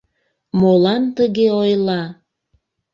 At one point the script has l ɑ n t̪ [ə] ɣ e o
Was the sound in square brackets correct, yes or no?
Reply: yes